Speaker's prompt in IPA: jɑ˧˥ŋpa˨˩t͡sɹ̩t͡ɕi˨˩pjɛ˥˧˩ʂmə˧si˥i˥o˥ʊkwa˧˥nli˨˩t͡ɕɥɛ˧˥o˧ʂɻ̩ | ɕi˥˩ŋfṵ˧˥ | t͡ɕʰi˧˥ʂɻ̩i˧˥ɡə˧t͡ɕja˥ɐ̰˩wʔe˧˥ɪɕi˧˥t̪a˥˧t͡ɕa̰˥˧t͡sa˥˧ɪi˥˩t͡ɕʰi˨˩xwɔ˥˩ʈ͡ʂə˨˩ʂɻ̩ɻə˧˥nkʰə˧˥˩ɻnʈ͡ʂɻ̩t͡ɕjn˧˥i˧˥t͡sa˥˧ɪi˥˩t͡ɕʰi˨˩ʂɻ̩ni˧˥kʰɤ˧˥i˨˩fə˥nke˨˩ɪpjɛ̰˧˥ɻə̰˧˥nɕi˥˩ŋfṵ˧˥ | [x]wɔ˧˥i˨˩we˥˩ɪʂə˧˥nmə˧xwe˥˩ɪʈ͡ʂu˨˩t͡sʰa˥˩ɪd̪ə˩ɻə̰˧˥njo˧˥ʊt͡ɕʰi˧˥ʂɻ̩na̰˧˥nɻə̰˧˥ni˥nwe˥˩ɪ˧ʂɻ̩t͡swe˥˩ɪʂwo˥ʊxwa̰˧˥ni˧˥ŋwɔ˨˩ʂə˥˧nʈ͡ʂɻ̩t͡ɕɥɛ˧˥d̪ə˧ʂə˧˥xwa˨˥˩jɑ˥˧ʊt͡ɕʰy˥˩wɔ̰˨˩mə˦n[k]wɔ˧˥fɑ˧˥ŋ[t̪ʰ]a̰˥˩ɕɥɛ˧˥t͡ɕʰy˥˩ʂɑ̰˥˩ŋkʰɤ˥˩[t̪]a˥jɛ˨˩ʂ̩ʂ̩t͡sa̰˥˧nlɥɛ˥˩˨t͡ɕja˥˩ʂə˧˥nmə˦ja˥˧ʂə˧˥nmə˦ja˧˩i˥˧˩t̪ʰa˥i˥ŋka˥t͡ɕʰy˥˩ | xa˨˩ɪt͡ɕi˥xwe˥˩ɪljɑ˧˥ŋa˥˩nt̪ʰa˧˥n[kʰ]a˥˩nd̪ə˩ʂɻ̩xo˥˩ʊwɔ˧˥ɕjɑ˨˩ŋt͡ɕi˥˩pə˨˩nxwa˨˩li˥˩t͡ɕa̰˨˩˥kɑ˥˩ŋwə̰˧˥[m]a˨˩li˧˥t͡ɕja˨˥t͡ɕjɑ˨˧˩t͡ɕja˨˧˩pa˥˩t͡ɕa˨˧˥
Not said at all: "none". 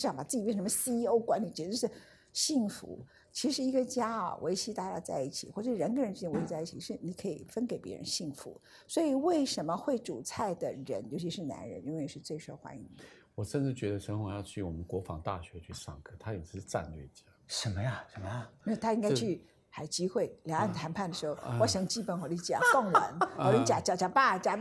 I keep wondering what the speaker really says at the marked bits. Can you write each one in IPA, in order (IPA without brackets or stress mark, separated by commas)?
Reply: s, k, t̪, t̪ʰ, pʰ, n